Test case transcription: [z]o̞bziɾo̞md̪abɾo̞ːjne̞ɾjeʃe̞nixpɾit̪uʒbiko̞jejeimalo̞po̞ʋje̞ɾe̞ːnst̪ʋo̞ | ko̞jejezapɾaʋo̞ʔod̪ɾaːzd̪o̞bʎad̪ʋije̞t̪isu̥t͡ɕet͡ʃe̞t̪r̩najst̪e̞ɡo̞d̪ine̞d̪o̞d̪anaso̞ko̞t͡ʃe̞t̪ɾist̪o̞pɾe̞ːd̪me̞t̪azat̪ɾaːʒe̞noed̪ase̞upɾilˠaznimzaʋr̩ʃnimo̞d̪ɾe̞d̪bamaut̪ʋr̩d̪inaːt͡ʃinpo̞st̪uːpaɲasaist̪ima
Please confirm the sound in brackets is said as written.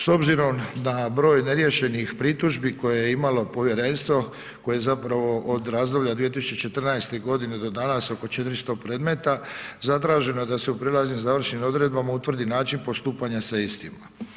no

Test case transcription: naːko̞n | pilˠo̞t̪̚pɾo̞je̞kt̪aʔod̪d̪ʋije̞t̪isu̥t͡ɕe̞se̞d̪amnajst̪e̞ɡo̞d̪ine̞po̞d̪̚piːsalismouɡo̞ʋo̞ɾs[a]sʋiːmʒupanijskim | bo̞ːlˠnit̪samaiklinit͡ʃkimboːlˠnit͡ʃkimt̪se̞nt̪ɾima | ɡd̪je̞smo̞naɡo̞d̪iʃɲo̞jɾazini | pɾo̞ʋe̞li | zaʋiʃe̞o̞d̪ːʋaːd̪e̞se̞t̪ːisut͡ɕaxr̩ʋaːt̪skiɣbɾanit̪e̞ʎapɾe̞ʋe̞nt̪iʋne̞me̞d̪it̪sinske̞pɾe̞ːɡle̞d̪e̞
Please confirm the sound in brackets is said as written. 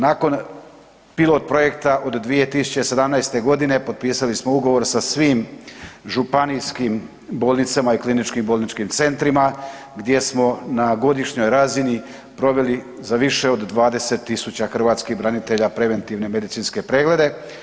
yes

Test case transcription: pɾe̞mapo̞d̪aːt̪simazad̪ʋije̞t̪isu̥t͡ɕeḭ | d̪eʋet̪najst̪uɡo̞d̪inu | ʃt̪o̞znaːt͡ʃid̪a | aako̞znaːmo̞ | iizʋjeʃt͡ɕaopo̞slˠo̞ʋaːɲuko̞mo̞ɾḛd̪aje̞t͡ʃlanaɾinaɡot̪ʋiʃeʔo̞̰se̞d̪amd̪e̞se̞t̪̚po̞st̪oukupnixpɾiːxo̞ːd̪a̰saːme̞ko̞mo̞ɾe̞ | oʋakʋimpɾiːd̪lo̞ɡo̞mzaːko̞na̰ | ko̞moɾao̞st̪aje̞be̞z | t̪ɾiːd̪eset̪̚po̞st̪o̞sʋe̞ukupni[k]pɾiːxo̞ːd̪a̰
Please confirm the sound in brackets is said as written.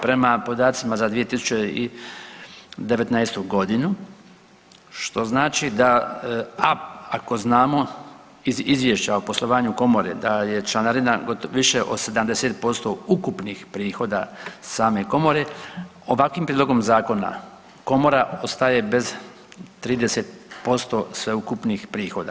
no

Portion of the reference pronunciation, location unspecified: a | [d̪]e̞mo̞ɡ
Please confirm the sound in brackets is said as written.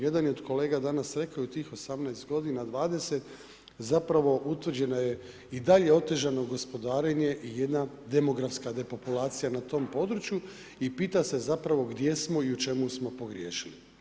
yes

